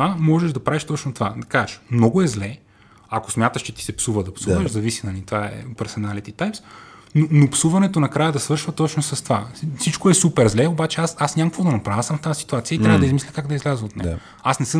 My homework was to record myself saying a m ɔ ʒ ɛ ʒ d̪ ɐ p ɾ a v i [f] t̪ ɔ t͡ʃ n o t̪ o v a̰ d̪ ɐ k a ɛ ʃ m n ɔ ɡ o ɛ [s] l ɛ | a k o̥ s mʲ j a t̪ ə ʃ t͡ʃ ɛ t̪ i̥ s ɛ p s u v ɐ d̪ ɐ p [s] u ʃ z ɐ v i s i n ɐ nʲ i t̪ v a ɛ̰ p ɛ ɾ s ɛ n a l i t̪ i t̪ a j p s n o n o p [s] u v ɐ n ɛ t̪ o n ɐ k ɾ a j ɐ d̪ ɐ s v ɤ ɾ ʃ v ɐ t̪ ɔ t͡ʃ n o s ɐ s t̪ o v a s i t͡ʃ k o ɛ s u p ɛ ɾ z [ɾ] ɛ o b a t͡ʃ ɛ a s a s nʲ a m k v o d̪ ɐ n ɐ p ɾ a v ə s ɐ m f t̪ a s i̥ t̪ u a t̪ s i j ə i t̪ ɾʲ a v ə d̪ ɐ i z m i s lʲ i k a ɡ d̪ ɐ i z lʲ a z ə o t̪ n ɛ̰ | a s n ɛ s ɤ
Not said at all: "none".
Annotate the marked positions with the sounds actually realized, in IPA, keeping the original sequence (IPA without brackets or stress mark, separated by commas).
ʃ, z, s, s, l